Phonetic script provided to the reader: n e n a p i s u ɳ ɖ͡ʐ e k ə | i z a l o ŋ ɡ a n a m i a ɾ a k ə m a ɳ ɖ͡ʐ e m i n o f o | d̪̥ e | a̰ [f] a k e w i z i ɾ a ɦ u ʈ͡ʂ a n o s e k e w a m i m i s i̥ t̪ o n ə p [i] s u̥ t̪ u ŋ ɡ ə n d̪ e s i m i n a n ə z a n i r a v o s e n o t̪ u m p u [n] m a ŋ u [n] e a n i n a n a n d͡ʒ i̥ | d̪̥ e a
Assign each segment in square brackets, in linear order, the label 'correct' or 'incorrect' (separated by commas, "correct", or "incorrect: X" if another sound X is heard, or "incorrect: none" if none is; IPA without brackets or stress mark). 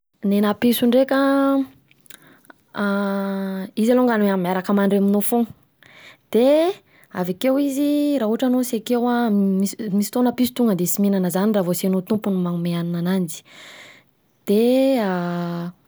incorrect: v, correct, correct, incorrect: m